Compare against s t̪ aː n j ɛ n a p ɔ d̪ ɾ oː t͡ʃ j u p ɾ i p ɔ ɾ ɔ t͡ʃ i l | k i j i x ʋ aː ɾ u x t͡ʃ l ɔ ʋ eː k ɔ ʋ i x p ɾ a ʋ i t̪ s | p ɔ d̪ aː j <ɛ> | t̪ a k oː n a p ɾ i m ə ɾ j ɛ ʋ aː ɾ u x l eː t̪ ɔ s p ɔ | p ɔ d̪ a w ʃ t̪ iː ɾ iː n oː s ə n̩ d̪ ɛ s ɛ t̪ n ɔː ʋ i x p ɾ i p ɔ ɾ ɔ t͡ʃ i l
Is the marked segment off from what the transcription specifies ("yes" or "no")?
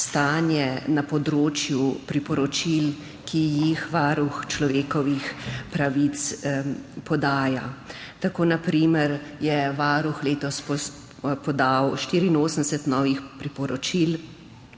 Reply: yes